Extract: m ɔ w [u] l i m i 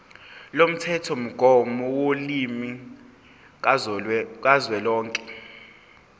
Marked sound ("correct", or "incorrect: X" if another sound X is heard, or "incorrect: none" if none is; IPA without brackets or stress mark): incorrect: o